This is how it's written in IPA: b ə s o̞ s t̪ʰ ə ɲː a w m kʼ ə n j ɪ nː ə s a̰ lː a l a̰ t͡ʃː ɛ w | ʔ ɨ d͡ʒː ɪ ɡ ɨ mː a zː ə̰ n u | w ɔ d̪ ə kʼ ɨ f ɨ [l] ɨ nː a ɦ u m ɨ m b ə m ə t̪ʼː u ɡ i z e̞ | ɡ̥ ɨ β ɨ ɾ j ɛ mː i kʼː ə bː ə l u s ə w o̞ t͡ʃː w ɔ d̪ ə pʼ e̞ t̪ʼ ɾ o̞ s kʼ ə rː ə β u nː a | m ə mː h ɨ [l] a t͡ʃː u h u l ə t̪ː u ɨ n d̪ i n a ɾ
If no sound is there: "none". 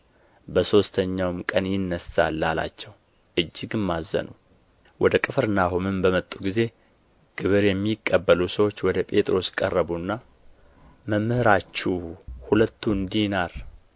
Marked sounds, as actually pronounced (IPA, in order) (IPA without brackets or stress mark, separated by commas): ɾ, ɾ